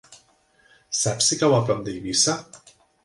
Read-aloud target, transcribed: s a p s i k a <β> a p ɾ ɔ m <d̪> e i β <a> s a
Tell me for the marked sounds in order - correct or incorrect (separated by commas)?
incorrect, correct, incorrect